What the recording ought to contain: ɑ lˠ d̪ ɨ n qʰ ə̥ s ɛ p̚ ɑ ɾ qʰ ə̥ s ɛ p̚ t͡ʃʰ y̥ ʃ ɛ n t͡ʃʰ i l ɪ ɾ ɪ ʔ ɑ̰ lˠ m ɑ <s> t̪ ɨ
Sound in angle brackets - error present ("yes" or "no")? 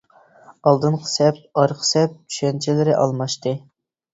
yes